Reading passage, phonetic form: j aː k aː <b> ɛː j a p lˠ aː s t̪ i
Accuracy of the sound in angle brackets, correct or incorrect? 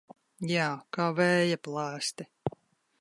incorrect